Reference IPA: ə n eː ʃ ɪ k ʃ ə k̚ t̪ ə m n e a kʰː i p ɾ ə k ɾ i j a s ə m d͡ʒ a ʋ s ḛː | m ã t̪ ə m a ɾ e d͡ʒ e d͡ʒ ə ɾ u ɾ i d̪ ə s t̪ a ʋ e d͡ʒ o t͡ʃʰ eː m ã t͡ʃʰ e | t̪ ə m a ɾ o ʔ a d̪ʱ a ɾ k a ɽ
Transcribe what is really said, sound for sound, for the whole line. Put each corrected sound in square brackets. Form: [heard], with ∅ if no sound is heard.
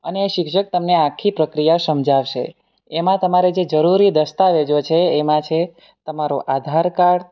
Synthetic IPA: ə n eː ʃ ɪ k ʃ ə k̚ t̪ ə m n e a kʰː i p ɾ ə k ɾ i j a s ə m d͡ʒ a ʋ [ʃ] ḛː | m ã t̪ ə m a ɾ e d͡ʒ e d͡ʒ ə ɾ u ɾ i d̪ ə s t̪ a ʋ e d͡ʒ o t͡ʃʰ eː m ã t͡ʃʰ e | t̪ ə m a ɾ o ʔ a d̪ʱ a ɾ k a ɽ